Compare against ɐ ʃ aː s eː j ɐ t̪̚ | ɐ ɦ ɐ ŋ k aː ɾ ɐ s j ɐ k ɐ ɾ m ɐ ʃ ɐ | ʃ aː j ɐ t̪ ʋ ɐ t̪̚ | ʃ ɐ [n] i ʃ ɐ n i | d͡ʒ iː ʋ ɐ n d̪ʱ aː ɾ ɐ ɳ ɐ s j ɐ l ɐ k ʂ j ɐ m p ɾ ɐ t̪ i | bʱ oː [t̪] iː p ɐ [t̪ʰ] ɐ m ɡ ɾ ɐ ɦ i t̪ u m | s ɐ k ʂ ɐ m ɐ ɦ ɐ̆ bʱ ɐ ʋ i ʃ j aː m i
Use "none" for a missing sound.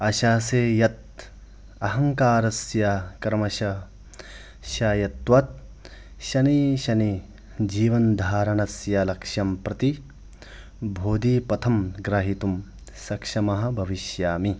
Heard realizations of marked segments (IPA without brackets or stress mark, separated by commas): n, d̪, t̪ʰ